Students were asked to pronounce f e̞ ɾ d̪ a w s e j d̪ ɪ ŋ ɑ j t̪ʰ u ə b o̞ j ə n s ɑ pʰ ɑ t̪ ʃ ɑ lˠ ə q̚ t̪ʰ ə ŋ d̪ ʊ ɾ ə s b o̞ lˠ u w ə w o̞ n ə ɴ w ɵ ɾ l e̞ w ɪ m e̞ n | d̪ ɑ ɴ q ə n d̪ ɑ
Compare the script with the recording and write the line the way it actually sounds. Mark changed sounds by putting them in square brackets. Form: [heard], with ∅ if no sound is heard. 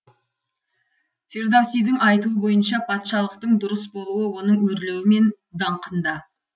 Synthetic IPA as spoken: f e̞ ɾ d̪ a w s [i] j d̪ ɪ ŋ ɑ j [t̪] u ə b o̞ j ə n [ʃ] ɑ pʰ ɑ t̪ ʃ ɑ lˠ ə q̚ [t̪] ə [ɴ] d̪ ʊ ɾ ə s b o̞ lˠ u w ə w o̞ n ə ɴ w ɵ ɾ l e̞ w ɪ m e̞ n | d̪ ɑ ɴ q ə n d̪ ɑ

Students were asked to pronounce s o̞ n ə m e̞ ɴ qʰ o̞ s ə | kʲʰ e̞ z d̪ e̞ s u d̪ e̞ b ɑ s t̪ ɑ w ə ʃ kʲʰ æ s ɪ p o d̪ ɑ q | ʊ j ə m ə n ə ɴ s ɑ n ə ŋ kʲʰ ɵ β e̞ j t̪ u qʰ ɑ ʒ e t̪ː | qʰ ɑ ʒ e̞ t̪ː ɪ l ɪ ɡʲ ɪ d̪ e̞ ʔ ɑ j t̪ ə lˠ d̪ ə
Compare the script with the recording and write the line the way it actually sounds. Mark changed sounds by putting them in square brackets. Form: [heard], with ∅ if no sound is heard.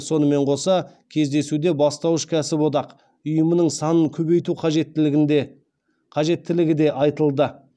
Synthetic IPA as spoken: s o̞ n ə m e̞ ɴ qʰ o̞ s [ɑ] | kʲʰ e̞ z d̪ e̞ s u d̪ e̞ b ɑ s t̪ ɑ w ə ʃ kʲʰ æ s ɪ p o d̪ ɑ q | ʊ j ə m ə n ə ɴ s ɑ n ə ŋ kʲʰ ɵ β e̞ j t̪ u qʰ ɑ ʒ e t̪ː | qʰ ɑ ʒ e̞ t̪ː ɪ l ɪ ɡʲ ɪ d̪ e̞ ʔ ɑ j t̪ ə lˠ d̪ ə

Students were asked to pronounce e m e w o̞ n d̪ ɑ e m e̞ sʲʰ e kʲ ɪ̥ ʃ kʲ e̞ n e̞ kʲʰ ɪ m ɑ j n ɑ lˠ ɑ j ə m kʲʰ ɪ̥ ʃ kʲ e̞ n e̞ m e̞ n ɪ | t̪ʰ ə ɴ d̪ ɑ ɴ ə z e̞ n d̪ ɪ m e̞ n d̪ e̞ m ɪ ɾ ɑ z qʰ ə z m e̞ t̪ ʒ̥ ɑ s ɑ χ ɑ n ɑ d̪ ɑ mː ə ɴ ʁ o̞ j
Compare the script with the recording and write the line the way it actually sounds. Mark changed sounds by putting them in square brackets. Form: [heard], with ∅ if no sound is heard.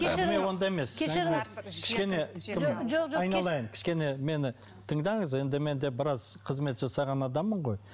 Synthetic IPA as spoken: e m e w o̞ n d̪ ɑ e m e̞ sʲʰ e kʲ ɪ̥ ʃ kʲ e̞ n e̞ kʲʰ ɪ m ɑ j n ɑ lˠ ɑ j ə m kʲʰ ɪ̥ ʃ kʲ e̞ n e̞ m e̞ n ɪ | t̪ʰ ə ɴ d̪ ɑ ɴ ə z e̞ n d̪ ɪ m e̞ n d̪ e̞ [b] ɪ ɾ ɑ z qʰ ə z m e̞ t̪ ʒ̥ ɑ s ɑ [ʁ] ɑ n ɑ d̪ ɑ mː ə ɴ ʁ o̞ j

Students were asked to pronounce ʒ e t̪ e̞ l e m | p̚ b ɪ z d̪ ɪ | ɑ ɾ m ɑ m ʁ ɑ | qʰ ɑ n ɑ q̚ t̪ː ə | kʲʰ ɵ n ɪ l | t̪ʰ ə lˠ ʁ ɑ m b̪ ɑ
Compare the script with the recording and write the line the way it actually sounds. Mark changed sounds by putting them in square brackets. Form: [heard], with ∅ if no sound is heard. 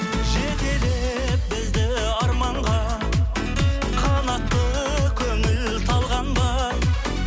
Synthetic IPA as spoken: ʒ e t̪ e̞ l e [∅] | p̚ b ɪ z d̪ ɪ | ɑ ɾ m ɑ [ɴ] ʁ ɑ | qʰ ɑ n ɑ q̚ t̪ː ə | kʲʰ ɵ [ŋ] ɪ l | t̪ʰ [ɑ] lˠ ʁ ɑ [n] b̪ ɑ

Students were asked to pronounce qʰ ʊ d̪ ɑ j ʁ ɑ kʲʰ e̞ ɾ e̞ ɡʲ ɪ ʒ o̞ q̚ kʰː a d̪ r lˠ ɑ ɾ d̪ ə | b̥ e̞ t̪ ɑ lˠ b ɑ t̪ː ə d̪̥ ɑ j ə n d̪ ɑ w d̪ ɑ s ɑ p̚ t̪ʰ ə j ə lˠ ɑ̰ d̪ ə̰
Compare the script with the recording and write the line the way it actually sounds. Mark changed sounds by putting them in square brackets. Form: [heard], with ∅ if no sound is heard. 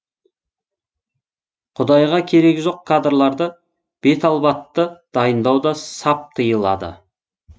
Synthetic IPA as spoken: qʰ ʊ d̪ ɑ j ʁ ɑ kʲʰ e̞ ɾ e̞ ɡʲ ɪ ʒ o̞ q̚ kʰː a d̪ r lˠ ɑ ɾ d̪ ə | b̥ e̞ t̪ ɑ lˠ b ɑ t̪ː ə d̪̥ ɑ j ə n d̪ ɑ w d̪ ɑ s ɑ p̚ t̪ʰ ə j ə lˠ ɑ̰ d̪ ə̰

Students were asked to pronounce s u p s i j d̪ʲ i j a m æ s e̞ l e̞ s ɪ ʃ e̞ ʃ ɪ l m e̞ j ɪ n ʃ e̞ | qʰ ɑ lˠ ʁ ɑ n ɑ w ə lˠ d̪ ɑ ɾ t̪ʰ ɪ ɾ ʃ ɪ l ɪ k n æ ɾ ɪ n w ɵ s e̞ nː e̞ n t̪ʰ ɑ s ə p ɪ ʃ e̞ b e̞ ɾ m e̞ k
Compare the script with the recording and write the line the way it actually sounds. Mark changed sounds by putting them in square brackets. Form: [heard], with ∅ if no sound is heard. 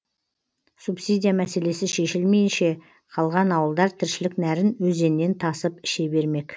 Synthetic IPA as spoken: s u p s i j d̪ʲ i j a m æ s e̞ l e̞ s ɪ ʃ e̞ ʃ ɪ l m e̞ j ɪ n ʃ e̞ | qʰ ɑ lˠ ʁ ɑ n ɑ w ə lˠ d̪ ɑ ɾ t̪ʰ ɪ ɾ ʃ ɪ l ɪ k n æ ɾ ɪ n w ɵ [z] e̞ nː e̞ n t̪ʰ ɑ s ə p ɪ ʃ e̞ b e̞ ɾ m e̞ k

